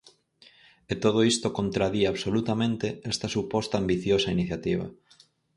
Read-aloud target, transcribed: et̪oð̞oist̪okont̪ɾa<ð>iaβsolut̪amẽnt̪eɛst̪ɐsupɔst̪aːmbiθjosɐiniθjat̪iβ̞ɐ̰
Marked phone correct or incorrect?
correct